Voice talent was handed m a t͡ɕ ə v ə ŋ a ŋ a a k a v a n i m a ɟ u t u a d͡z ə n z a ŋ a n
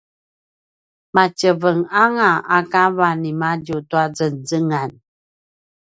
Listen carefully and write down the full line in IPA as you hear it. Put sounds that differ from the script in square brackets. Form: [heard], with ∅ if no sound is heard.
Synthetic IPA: m a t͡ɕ ə v ə ŋ a ŋ a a k a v a n i m a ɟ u t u a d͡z ə n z [ə] ŋ a n